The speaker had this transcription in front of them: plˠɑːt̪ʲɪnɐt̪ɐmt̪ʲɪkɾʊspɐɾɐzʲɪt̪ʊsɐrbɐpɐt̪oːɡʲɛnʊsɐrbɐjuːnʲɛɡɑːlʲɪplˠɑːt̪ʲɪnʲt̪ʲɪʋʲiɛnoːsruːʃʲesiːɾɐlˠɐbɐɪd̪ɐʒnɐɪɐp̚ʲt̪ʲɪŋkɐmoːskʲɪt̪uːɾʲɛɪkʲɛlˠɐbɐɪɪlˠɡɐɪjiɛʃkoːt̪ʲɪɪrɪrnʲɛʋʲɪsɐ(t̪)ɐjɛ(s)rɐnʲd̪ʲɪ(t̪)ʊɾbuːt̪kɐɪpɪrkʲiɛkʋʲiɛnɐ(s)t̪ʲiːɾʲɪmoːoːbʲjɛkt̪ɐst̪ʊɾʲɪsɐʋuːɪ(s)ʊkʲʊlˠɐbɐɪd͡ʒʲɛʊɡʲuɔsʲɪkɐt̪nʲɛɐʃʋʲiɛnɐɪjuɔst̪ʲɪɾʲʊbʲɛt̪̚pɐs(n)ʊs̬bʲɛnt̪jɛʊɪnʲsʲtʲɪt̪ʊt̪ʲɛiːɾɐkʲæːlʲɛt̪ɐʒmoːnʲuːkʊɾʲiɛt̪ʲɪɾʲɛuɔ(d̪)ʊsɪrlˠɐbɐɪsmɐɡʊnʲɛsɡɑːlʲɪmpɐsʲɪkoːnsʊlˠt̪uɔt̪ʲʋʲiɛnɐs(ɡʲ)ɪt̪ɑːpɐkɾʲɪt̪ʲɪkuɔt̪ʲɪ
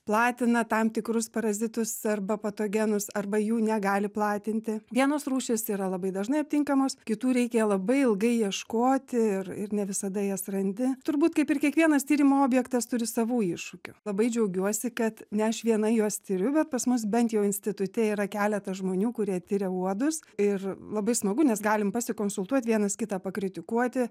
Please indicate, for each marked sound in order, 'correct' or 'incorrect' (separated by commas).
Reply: incorrect, correct, correct, correct, incorrect, incorrect, correct, incorrect